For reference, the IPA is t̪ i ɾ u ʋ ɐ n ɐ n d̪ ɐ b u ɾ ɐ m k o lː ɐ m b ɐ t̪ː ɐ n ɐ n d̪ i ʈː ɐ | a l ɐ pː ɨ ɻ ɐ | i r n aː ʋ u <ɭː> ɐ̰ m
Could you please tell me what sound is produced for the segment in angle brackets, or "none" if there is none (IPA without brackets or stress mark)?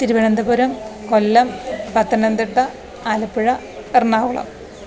ɭ